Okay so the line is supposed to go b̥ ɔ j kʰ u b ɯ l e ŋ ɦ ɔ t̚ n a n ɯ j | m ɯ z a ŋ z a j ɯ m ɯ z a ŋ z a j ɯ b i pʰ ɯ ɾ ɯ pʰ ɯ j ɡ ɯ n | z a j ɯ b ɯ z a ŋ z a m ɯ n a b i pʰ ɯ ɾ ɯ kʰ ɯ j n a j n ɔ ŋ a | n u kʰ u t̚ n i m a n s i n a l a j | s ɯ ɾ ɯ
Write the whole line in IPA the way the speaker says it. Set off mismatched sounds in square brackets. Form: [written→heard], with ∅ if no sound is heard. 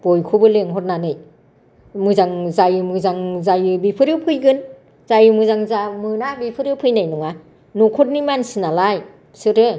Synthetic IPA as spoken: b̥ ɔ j kʰ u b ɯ l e ŋ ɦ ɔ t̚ n a n ɯ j | m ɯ z a ŋ z a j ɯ m ɯ z a ŋ z a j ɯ b i pʰ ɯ ɾ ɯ pʰ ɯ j ɡ ɯ n | z a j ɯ [b→m] ɯ z a ŋ z a m ɯ n a b i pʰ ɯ ɾ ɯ [kʰ→pʰ] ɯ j n a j n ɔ ŋ a | n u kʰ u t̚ n i m a n s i n a l a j | s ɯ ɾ ɯ